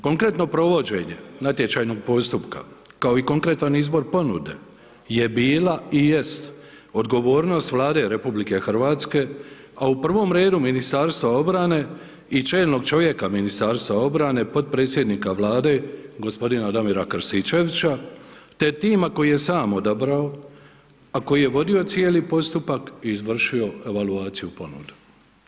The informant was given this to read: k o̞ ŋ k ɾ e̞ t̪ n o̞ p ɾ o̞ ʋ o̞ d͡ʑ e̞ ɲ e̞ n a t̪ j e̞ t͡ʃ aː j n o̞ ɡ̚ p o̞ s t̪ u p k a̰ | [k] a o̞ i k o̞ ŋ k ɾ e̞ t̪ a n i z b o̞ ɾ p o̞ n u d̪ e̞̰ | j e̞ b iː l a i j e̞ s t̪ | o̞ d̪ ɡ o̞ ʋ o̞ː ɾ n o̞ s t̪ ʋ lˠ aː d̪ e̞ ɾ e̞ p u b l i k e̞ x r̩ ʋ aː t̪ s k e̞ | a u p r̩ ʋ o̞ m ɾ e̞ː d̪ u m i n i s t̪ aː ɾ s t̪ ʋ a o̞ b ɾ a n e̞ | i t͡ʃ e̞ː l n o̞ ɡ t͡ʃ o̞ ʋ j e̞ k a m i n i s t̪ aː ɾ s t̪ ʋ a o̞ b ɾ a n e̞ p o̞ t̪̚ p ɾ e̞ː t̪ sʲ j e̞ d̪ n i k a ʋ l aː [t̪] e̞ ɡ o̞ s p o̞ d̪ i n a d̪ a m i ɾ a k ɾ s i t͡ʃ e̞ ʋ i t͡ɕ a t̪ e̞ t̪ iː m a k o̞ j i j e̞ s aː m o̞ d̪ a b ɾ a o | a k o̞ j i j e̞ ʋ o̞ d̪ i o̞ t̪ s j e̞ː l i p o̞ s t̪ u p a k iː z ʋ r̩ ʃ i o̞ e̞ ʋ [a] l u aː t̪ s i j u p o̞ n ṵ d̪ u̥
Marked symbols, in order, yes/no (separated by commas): yes, no, yes